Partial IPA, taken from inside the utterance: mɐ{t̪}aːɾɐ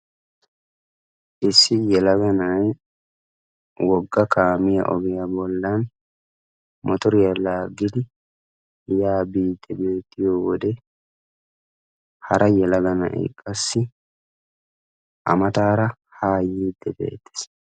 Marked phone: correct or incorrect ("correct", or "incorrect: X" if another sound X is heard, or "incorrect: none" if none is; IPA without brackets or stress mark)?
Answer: correct